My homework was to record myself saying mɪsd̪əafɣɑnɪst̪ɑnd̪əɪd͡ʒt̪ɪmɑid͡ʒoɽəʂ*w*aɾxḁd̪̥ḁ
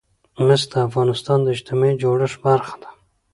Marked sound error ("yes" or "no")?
yes